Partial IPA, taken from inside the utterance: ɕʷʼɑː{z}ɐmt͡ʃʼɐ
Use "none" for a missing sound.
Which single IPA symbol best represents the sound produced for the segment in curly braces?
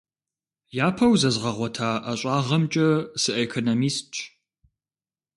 ʁ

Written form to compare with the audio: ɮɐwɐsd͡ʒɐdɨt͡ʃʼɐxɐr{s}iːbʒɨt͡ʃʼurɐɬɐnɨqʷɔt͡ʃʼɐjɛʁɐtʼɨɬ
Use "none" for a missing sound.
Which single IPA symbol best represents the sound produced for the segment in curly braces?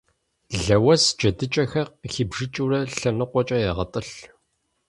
x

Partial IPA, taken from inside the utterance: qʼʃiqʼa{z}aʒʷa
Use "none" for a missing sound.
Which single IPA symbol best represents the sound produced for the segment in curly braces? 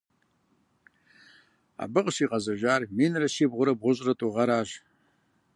z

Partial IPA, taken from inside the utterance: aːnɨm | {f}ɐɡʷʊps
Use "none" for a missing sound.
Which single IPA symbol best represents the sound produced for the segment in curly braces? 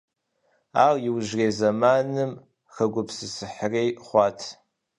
x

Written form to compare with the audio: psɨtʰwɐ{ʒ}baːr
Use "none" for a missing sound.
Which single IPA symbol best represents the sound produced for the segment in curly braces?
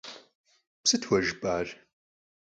ʒ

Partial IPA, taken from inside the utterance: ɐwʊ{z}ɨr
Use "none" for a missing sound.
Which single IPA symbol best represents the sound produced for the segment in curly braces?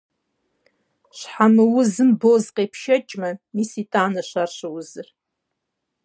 z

